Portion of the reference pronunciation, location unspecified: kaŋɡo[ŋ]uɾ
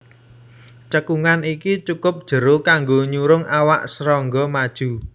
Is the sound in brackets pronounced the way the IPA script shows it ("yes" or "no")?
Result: no